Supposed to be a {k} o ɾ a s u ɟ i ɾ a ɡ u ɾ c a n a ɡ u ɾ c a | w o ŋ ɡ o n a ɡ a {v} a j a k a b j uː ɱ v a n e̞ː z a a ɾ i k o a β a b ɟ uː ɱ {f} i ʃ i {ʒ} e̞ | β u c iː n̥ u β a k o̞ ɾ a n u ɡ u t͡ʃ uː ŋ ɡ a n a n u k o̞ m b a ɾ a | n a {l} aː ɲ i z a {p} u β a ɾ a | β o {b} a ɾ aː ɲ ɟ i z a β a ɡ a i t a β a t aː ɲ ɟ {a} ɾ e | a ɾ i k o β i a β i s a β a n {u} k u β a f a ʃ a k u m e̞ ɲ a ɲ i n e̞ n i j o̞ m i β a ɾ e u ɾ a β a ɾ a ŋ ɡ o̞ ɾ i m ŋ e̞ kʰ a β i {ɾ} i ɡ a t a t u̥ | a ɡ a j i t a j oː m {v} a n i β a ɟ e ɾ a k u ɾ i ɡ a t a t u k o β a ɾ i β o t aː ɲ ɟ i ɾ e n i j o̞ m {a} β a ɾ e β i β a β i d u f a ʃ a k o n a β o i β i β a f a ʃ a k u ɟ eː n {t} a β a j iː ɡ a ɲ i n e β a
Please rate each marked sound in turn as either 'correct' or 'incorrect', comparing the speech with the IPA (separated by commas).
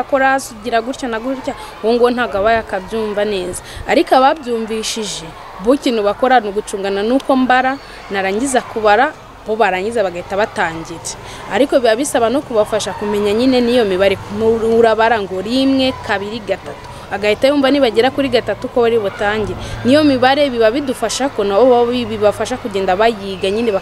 correct, incorrect, incorrect, correct, incorrect, incorrect, incorrect, incorrect, incorrect, correct, correct, incorrect, incorrect